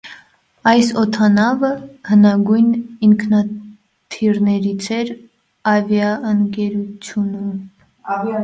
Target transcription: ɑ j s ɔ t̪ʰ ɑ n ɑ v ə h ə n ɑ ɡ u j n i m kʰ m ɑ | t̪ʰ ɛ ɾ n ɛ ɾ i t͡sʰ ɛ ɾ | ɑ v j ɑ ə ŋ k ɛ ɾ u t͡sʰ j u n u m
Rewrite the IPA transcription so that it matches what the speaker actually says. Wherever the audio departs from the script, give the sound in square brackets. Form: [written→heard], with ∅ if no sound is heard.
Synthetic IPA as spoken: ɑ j s ɔ t̪ʰ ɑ n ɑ v ə h ə n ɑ ɡ u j n i [m→ŋ] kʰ [m→n] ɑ | t̪ʰ [ɛ→i] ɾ n ɛ ɾ i t͡sʰ ɛ ɾ | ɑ v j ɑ ə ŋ k ɛ ɾ u t͡sʰ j u n u m

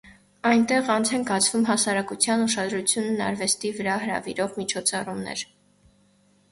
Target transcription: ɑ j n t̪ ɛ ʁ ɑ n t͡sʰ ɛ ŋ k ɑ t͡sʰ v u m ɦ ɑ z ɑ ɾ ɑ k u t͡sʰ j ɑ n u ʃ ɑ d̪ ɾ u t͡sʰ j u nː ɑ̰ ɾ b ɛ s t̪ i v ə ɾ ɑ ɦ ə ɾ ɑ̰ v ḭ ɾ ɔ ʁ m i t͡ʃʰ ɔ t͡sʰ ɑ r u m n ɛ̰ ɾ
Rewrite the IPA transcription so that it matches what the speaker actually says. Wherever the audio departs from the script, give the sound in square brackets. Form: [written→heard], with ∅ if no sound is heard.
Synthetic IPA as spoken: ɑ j n t̪ ɛ ʁ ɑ n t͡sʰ ɛ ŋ k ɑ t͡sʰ v u m ɦ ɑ [z→s] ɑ ɾ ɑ k u t͡sʰ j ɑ n u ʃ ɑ d̪ ɾ u t͡sʰ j u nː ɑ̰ ɾ [b→v] ɛ s t̪ i v ə ɾ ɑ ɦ ə ɾ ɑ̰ v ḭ ɾ ɔ ʁ m i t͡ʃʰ ɔ t͡sʰ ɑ r u m n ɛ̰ ɾ

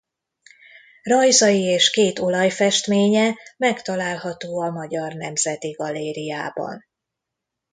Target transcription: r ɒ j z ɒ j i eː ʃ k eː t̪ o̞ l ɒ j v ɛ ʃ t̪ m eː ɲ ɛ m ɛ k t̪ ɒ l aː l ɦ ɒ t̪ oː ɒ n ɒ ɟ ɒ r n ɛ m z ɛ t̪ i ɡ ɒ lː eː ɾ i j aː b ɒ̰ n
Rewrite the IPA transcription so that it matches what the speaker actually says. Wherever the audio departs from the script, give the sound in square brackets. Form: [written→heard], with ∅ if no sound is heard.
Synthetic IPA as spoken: r ɒ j z ɒ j i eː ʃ k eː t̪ o̞ l ɒ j [v→f] ɛ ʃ t̪ m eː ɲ ɛ m ɛ k t̪ ɒ l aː l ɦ ɒ t̪ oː ɒ [n→m] ɒ ɟ ɒ r n ɛ m z ɛ t̪ i ɡ ɒ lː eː ɾ i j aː b ɒ̰ n

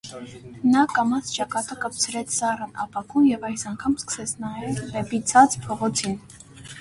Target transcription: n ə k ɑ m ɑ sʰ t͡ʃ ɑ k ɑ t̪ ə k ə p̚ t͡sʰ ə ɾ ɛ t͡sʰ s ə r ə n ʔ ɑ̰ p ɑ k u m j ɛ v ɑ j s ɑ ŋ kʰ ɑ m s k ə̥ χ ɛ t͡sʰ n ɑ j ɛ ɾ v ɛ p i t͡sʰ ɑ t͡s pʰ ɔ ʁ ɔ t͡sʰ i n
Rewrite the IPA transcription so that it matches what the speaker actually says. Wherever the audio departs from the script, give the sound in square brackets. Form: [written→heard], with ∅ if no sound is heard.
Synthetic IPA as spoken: n [ə→ɑ] k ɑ m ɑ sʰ t͡ʃ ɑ k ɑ t̪ ə k ə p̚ t͡sʰ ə ɾ ɛ t͡sʰ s [ə→ɑ] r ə n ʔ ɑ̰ p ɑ k u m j ɛ v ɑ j s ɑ ŋ kʰ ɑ m s k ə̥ [χ→s] ɛ t͡sʰ n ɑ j ɛ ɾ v ɛ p i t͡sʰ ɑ t͡s pʰ ɔ ʁ ɔ t͡sʰ i n

